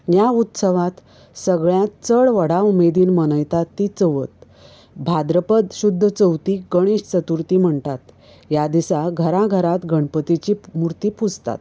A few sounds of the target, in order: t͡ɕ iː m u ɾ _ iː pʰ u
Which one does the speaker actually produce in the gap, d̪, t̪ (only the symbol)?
t̪